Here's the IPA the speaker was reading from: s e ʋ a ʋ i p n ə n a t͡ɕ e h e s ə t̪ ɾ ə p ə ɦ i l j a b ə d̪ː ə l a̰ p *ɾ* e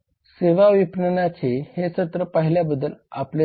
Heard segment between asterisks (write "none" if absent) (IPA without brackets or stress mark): l